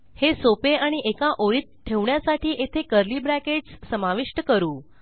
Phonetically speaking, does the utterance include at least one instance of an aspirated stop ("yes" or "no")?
yes